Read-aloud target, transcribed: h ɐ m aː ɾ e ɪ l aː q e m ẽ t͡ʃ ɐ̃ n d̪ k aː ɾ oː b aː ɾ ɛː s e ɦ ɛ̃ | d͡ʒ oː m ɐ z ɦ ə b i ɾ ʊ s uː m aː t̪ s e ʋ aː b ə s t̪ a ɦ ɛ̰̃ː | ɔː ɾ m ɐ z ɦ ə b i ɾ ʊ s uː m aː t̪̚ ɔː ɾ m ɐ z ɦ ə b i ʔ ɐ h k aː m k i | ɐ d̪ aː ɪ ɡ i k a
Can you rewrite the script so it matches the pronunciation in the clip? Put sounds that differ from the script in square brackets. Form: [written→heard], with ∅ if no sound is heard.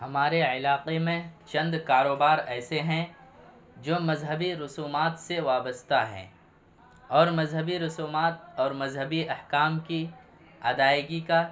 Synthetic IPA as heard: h ɐ m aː ɾ e ɪ l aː q e m ẽ t͡ʃ ɐ̃ n d̪ k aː ɾ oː b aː ɾ ɛː s e ɦ ɛ̃ | d͡ʒ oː m ɐ z ɦ ə b i ɾ ʊ s uː m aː t̪ s e ʋ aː b ə s t̪ a ɦ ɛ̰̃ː | ɔː ɾ m ɐ z ɦ ə b i ɾ ʊ s uː m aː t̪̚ ɔː ɾ m ɐ z ɦ ə b i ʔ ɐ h k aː m k i | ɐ d̪ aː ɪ ɡ i k a

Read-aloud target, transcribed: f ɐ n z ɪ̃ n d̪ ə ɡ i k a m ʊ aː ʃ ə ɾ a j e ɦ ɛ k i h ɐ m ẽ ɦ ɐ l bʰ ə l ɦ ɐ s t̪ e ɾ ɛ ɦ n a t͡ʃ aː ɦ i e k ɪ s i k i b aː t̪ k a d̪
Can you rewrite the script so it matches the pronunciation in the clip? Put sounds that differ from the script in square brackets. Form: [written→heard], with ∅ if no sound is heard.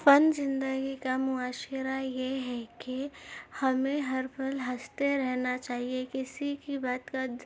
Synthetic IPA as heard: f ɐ n z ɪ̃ n d̪ ə ɡ i k a m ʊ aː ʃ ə ɾ a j e ɦ ɛ k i h ɐ m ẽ ɦ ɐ [l→ɾ] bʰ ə l ɦ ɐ s t̪ e ɾ ɛ ɦ n a t͡ʃ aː ɦ i e k ɪ s i k i b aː t̪ k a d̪

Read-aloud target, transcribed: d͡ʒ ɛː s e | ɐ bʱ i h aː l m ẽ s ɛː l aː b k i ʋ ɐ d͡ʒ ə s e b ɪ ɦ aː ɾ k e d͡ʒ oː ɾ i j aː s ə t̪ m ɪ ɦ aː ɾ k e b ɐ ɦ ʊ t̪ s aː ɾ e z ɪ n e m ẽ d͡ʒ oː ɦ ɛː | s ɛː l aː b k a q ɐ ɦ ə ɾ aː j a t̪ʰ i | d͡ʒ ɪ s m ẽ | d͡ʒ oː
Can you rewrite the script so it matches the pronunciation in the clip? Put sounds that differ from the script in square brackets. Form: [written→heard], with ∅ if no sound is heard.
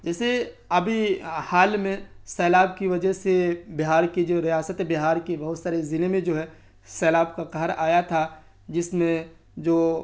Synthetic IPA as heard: d͡ʒ ɛː s e | ɐ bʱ i h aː l m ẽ s ɛː l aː b k i ʋ ɐ d͡ʒ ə s e b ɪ ɦ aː ɾ k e d͡ʒ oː ɾ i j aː s ə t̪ [m→b] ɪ ɦ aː ɾ k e b ɐ ɦ ʊ t̪ s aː ɾ e z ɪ n e m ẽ d͡ʒ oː ɦ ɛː | s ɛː l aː b k a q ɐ ɦ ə ɾ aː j a t̪ʰ [i→a] | d͡ʒ ɪ s m ẽ | d͡ʒ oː

